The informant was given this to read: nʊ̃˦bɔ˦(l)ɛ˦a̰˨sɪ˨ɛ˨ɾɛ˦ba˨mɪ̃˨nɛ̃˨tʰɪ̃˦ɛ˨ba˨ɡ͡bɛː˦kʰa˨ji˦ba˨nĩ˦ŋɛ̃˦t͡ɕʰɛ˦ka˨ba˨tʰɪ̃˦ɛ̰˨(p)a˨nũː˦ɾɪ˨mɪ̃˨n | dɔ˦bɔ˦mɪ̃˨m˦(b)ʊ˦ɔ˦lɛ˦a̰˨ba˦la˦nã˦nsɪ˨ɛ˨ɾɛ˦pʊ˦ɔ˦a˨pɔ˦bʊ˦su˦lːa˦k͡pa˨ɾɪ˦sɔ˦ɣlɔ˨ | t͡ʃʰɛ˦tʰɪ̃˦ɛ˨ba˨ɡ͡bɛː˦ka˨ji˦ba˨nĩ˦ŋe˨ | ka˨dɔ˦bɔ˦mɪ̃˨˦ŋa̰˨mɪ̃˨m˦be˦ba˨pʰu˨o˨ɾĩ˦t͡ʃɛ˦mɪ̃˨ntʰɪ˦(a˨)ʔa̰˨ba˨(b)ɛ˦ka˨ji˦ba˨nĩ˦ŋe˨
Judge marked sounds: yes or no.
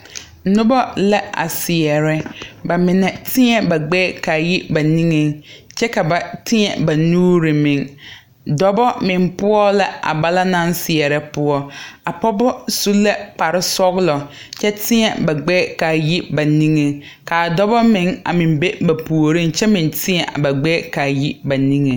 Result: yes, no, no, no, no

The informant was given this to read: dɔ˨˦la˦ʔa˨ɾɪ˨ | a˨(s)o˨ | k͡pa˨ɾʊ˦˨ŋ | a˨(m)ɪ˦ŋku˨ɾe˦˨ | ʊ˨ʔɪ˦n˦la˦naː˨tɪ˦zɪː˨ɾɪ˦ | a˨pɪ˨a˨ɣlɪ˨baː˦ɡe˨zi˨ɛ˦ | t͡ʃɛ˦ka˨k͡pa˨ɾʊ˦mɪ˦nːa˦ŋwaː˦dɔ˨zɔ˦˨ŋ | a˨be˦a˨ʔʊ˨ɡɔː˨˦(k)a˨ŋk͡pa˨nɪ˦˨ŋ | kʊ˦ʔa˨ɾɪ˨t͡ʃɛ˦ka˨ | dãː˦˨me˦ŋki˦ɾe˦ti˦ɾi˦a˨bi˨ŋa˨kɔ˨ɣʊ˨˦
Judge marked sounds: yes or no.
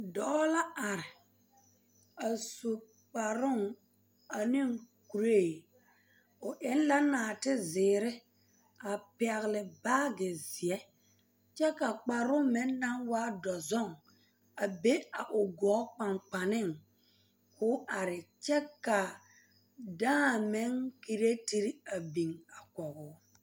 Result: yes, no, no

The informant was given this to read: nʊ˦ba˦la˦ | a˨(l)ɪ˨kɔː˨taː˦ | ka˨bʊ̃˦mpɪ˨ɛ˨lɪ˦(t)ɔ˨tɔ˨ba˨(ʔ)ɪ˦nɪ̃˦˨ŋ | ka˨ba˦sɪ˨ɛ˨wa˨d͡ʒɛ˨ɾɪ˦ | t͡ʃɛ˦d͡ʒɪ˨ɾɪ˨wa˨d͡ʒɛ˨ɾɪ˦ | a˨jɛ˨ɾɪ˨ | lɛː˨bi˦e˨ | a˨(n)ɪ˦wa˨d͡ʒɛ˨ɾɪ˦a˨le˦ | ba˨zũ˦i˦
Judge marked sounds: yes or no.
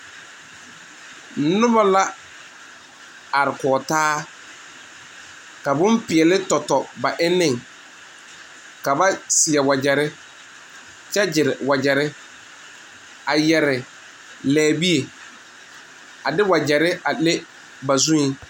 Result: no, yes, yes, no

